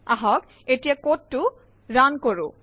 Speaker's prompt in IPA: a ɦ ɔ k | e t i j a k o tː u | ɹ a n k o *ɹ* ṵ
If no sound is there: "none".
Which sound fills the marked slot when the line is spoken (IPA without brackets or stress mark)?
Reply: ɹ